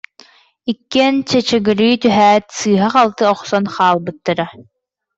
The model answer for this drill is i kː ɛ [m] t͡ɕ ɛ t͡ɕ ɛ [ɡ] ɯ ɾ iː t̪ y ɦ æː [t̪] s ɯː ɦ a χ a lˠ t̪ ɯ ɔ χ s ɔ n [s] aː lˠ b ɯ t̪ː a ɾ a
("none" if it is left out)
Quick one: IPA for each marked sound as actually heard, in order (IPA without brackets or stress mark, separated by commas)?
n, ɡ, t̪, χ